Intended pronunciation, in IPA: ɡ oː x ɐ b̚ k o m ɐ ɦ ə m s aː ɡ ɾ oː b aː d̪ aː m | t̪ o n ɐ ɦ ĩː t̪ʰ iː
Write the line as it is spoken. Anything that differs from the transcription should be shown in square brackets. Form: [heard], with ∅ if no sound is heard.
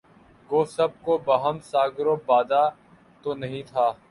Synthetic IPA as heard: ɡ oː [s] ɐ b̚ k o [b] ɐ ɦ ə m s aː ɡ ɾ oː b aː d̪ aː [∅] | t̪ o n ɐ ɦ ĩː t̪ʰ [aː]